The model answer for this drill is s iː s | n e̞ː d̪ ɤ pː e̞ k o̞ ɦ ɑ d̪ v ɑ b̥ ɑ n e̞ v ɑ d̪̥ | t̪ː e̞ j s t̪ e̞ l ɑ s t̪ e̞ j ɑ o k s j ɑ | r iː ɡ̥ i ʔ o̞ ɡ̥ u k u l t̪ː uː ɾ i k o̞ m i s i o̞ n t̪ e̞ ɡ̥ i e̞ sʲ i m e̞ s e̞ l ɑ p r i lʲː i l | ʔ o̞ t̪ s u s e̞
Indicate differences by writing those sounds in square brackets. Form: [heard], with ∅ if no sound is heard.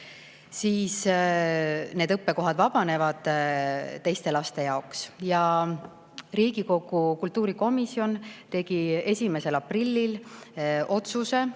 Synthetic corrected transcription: s iː s | n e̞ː d̪ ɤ pː e̞ k o̞ ɦ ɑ d̪ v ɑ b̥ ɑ n e̞ v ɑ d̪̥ | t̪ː e̞ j s t̪ e̞ l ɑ s t̪ e̞ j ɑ o k s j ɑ | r iː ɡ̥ i [k] o̞ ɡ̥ u k u l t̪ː uː ɾ i k o̞ m i s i o̞ n t̪ e̞ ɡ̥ i e̞ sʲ i m e̞ s e̞ l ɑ p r i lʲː i l | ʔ o̞ t̪ s u s e̞

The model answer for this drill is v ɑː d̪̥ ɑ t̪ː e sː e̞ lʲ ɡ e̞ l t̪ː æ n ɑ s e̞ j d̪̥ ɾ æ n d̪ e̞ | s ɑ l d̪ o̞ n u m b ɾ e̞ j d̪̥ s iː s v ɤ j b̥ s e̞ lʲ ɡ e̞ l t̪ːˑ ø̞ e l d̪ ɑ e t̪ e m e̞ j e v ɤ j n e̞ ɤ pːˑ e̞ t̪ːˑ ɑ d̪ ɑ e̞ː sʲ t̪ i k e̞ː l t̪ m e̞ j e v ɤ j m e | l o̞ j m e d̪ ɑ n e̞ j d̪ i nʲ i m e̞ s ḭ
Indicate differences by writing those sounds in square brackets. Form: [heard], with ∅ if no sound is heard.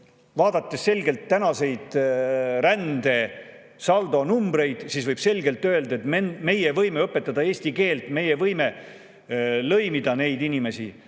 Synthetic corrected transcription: v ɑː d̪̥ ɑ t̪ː e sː e̞ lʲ ɡ e̞ l t̪ː æ n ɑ s e̞ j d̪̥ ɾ æ n d̪ e̞ | s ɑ l d̪ o̞ n u m b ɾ e̞ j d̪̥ s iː s v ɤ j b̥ s e̞ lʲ ɡ e̞ l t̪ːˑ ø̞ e l d̪ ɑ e t̪ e m e̞ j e v ɤ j [m] e̞ ɤ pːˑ e̞ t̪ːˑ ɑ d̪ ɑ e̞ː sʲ t̪ i k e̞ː l t̪ m e̞ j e v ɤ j m e | l [ɤ̞] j m [i] d̪ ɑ n e̞ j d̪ i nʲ i m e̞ s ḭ

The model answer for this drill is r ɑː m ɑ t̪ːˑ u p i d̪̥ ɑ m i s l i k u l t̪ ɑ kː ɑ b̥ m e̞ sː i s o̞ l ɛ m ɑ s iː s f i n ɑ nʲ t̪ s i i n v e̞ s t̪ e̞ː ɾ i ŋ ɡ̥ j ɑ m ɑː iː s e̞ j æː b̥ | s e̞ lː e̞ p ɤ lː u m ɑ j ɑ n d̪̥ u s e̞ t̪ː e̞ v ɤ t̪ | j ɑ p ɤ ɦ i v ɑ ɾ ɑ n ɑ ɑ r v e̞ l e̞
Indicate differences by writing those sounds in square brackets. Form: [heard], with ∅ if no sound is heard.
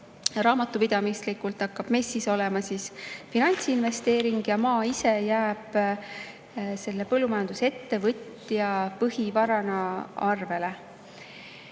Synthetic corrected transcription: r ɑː m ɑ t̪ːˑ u p i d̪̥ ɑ m i s l i k u l t̪ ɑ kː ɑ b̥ m e̞ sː i s o̞ l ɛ m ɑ s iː s f i n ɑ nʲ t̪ s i i n v e̞ s t̪ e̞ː ɾ i ŋ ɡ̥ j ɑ m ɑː [i] s e̞ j æː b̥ | s e̞ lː e̞ p ɤ lː u m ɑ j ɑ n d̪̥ u s e̞ t̪ː e̞ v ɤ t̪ | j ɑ p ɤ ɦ i v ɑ ɾ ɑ n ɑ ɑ r v e̞ l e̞

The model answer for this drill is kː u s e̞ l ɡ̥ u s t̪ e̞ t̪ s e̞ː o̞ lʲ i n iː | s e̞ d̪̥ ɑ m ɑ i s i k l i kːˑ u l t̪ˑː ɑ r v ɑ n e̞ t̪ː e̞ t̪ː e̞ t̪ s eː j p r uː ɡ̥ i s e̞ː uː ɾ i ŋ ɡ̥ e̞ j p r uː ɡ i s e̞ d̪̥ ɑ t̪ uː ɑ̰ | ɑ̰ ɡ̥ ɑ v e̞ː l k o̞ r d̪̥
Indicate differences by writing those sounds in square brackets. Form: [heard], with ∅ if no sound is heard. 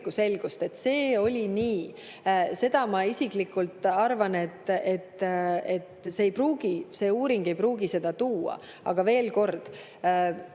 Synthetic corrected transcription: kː u s e̞ l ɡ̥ u s t̪ e̞ t̪ s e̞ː o̞ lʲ i n iː | s e̞ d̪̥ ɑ m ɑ i s i k l i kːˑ u l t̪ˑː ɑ r v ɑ n e̞ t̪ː e̞ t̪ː e̞ t̪ s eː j p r uː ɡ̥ i s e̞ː uː ɾ i ŋ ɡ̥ e̞ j p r uː ɡ i s e̞ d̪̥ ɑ t̪ uː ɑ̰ | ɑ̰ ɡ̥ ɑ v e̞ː l k o̞ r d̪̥

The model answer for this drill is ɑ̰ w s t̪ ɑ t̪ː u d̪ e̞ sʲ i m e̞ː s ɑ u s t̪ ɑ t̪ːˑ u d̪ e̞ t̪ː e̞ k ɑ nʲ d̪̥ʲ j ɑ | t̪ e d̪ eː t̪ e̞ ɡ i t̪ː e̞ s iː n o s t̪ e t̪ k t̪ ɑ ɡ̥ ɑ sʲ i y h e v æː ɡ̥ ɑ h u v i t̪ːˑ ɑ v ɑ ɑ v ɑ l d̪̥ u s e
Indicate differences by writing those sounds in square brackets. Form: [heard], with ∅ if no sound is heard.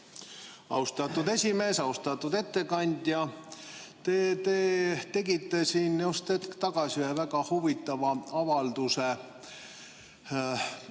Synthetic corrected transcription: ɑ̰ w s t̪ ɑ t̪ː u d̪ e̞ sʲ i m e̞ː s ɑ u s t̪ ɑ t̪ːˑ u d̪ e̞ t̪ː e̞ k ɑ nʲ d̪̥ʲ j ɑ | t̪ e [t̪] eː t̪ e̞ ɡ i t̪ː e̞ s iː n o s t̪ e t̪ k t̪ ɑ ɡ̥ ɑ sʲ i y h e v [æ] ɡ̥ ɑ h u v i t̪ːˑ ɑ v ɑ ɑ v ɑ l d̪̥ u s e

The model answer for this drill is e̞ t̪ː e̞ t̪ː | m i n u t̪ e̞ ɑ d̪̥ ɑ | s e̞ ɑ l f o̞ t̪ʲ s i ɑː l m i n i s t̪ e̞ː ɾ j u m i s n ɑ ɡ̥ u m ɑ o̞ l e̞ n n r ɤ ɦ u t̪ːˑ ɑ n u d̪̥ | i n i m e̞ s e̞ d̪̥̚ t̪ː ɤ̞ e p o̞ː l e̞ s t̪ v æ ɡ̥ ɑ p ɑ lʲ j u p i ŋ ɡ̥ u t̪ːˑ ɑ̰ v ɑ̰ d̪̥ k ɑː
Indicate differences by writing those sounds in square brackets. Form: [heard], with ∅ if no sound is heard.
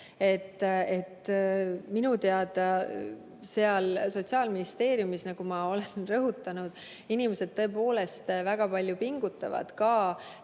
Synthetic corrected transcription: e̞ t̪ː e̞ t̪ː | m i n u t̪ e̞ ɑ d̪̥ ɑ | s e̞ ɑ l [s] o̞ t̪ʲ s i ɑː l m i n i s t̪ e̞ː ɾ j u m i s n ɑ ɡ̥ u m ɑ o̞ l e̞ n n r ɤ ɦ u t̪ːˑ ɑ n u d̪̥ | i n i m e̞ s e̞ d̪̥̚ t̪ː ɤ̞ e p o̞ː l e̞ s t̪ v æ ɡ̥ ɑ p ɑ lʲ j u p i ŋ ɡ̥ u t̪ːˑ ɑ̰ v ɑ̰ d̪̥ k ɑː

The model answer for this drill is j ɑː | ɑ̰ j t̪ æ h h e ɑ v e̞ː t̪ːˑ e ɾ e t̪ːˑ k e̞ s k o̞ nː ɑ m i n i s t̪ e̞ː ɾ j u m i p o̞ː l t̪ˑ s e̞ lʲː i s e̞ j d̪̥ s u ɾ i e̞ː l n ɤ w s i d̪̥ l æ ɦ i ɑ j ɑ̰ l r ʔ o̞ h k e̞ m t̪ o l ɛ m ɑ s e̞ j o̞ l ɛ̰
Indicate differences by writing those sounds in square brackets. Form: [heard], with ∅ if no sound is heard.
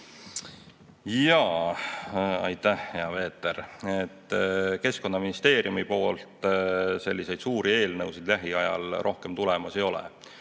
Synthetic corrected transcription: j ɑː | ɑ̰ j t̪ æ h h e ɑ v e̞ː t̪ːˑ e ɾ e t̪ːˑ k e̞ s k o̞ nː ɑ m i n i s t̪ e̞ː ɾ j u m i p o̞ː l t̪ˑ s e̞ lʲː i s e̞ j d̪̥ s [uː] ɾ i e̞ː l n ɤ w s i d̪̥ l æ ɦ i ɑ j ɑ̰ l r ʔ o̞ h k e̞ m t̪ [u] l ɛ m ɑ s e̞ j o̞ l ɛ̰

